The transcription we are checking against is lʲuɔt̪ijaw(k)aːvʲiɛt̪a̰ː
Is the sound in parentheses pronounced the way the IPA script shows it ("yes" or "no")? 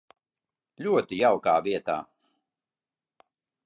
yes